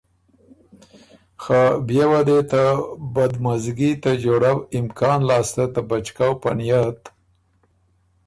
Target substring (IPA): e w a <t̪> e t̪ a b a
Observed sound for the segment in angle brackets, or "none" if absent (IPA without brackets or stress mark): d̪